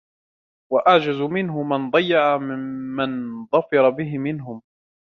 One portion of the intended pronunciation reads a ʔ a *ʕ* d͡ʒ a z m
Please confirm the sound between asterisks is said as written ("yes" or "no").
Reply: yes